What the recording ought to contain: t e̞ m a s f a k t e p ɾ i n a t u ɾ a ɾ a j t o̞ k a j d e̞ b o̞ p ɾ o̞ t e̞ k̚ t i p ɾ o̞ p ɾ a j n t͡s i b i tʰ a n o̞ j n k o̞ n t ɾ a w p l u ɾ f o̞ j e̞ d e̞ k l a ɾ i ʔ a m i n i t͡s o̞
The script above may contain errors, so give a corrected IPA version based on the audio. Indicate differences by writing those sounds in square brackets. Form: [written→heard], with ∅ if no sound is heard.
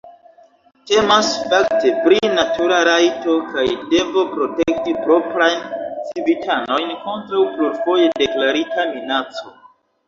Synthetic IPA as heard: t e̞ m a s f a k t e p ɾ i n a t u ɾ a ɾ a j t o̞ k a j d e̞ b o̞ p ɾ o̞ t e̞ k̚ t i p ɾ o̞ p ɾ a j n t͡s i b i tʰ a n o̞ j n k o̞ n t ɾ a w p l u ɾ f o̞ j e̞ d e̞ k l a ɾ i [ʔ→t] a m i n [i→a] t͡s o̞